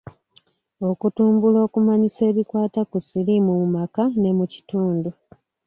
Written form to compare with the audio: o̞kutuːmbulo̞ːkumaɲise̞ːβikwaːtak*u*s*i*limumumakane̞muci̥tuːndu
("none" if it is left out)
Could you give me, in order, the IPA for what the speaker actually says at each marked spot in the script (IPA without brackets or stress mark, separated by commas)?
u, i